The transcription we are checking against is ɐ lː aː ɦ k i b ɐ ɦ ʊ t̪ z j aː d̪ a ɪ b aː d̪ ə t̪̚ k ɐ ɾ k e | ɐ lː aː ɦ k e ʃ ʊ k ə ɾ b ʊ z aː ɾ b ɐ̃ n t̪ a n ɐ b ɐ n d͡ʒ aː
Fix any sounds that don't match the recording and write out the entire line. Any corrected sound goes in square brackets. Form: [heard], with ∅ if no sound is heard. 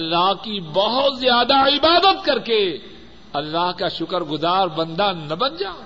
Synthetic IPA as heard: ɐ lː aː ɦ k i b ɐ ɦ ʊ t̪ z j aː d̪ a ɪ b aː d̪ ə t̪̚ k ɐ ɾ k e | ɐ lː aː ɦ k [a] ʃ ʊ k ə ɾ [ɡ] ʊ z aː ɾ b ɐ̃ n [d̪] a n ɐ b ɐ n d͡ʒ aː